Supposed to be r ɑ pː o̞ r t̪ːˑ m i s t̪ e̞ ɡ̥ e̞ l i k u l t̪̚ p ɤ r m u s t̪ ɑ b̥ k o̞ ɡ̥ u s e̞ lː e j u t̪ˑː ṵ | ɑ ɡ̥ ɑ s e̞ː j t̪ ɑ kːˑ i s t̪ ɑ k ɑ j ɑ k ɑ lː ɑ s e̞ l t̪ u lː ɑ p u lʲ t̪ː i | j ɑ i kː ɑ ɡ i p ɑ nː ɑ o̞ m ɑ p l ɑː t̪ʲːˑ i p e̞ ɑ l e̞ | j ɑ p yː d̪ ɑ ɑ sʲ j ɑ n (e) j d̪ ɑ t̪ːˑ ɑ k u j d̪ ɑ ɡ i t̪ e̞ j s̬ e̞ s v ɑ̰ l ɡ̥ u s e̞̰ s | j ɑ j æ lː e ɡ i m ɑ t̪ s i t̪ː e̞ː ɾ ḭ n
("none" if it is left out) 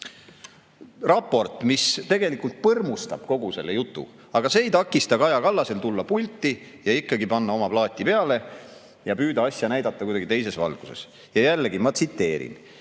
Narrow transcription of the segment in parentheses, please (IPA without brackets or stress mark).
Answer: æ